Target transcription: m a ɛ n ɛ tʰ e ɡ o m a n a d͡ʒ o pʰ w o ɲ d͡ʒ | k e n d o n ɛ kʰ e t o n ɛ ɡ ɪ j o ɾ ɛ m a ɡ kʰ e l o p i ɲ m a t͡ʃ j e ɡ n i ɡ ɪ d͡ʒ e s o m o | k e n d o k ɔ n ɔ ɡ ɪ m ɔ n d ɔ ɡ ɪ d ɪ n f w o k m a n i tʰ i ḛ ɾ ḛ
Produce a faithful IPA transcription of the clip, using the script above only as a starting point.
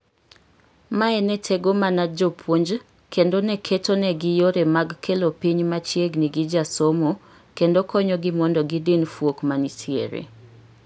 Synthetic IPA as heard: m a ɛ n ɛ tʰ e ɡ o m a n a d͡ʒ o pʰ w o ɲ d͡ʒ | k e n d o n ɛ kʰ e t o n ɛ ɡ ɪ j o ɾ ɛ m a ɡ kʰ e l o p i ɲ m a t͡ʃ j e ɡ n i ɡ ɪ d͡ʒ a s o m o | k e n d o k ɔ ɲ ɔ ɡ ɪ m ɔ n d ɔ ɡ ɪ d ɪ n f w o k m a n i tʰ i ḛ ɾ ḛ